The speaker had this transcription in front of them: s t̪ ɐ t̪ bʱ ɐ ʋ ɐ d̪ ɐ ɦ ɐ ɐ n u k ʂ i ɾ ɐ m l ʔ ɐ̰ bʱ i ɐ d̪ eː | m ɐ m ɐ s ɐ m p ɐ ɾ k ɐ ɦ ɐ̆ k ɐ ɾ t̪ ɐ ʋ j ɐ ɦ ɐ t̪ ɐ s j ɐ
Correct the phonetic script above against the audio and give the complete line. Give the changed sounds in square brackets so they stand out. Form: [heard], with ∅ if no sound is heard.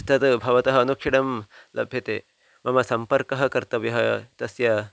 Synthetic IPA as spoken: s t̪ ɐ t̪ bʱ ɐ ʋ ɐ [t̪] ɐ ɦ ɐ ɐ n u k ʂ i [ɽ] ɐ m l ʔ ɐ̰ bʱ [j] ɐ [t̪] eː | m ɐ m ɐ s ɐ m p ɐ ɾ k ɐ ɦ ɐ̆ k ɐ ɾ t̪ ɐ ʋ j ɐ ɦ ɐ t̪ ɐ s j ɐ